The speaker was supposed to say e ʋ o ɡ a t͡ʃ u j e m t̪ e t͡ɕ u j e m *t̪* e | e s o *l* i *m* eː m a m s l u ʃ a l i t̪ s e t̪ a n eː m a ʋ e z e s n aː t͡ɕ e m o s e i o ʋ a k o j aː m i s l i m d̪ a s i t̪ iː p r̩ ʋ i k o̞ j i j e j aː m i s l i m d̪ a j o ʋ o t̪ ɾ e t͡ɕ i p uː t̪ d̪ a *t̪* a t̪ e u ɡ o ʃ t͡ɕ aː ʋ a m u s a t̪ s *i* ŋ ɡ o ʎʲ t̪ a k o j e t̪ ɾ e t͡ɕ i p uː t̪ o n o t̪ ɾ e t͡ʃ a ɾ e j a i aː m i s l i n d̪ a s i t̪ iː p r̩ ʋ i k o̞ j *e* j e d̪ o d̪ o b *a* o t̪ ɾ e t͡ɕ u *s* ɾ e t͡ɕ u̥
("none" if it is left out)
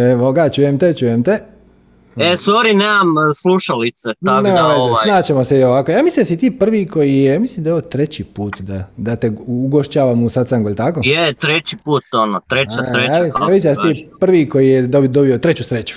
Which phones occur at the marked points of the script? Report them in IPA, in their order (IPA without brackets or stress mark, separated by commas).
t̪, ɾ, n, d̪, a, i, i, s